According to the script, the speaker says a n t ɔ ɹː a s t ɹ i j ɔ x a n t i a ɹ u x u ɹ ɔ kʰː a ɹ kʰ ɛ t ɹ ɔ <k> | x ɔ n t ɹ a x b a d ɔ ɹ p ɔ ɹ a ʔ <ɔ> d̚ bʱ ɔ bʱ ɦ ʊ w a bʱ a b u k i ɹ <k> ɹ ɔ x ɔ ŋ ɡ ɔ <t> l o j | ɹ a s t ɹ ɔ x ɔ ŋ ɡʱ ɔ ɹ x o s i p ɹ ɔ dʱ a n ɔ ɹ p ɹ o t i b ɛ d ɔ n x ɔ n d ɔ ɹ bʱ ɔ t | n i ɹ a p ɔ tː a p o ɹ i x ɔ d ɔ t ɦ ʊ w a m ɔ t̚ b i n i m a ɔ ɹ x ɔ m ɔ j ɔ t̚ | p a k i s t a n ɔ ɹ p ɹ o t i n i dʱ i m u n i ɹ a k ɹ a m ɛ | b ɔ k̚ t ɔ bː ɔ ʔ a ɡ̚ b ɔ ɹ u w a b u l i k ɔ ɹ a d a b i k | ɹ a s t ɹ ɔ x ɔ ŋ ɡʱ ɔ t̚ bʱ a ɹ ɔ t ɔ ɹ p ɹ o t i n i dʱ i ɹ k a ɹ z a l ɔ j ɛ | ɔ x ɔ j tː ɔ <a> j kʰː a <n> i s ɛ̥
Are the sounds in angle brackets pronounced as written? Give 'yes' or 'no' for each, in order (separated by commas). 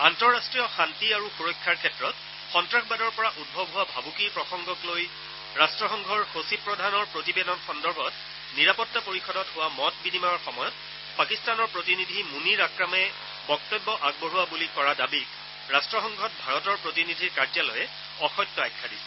no, no, no, no, yes, no